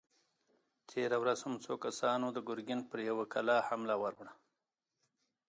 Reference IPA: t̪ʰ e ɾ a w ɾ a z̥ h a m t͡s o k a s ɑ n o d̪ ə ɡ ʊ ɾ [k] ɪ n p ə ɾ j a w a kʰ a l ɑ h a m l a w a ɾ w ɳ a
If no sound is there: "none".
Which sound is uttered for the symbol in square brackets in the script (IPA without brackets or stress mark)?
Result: ɡ